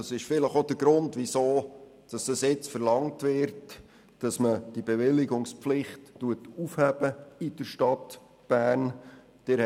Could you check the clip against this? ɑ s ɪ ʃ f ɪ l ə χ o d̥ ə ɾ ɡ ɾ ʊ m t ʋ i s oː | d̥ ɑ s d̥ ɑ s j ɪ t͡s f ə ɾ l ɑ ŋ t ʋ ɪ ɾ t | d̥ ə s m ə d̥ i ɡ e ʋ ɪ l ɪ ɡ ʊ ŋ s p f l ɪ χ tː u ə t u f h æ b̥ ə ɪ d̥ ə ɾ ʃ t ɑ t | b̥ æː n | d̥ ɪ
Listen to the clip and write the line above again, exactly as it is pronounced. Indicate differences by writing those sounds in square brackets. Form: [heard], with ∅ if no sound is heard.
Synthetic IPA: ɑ s ɪ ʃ f ɪ l ə χ o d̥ ə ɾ ɡ ɾ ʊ [n] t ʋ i s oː | d̥ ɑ s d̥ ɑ s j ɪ t͡s f ə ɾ l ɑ ŋ t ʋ ɪ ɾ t | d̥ [ɑ] s m ə d̥ i [b] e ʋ ɪ l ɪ ɡ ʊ ŋ s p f l ɪ χ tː u ə t u f h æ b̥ ə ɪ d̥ ə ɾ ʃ t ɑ t | b̥ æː n | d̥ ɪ